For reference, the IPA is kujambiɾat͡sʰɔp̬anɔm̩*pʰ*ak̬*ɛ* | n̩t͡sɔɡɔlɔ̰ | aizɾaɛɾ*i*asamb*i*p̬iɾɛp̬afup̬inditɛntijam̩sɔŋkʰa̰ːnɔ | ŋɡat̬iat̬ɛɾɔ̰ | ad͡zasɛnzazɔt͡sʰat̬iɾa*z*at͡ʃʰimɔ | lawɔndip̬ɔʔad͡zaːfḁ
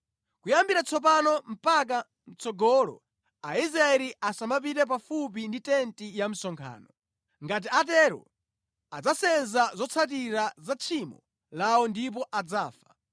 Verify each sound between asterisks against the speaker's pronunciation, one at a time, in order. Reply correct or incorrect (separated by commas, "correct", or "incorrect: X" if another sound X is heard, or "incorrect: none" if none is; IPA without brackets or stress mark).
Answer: incorrect: p, incorrect: a, correct, incorrect: a, correct